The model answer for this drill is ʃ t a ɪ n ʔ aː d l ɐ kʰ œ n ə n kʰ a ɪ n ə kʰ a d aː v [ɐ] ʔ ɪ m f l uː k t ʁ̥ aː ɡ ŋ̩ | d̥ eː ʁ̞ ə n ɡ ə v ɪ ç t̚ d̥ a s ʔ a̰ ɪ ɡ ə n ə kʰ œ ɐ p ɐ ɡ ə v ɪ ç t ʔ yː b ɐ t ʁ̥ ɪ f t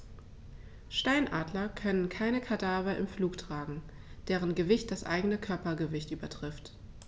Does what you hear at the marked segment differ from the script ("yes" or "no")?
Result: no